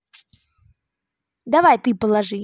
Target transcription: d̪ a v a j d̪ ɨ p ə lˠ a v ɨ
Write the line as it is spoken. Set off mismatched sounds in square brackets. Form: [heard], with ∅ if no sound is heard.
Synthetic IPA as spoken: d̪ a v a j [t̪] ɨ p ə lˠ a [ʐ] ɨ